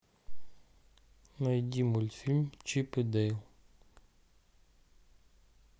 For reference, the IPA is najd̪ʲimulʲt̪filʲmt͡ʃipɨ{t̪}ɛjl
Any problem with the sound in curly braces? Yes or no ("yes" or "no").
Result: yes